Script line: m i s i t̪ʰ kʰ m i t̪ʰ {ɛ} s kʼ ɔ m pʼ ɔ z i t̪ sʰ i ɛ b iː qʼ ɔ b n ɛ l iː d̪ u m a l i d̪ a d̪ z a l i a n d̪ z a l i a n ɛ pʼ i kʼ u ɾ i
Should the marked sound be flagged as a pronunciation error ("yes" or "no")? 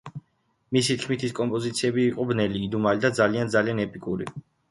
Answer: yes